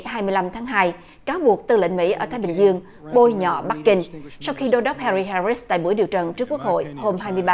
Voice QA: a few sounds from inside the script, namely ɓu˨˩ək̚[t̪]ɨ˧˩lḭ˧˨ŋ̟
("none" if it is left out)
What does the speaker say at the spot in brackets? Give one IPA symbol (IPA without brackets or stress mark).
t̪